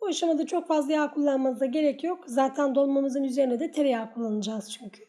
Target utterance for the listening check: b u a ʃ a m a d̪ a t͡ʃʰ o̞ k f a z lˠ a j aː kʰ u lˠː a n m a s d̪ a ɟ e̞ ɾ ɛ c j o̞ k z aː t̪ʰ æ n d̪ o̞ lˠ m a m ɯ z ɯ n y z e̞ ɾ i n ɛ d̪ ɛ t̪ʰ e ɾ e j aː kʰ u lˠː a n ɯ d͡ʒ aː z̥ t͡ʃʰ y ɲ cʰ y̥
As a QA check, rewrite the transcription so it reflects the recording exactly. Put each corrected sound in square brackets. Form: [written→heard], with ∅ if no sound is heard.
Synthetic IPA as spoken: b u a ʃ a m a d̪ a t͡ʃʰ o̞ k f a z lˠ a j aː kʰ u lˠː a n m a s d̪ a ɟ e̞ ɾ ɛ c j o̞ k z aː t̪ʰ æ n d̪ o̞ lˠ m a m ɯ z ɯ n y z e̞ ɾ i n ɛ d̪ ɛ t̪ʰ e ɾ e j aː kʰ u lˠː a n ɯ d͡ʒ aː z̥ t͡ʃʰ y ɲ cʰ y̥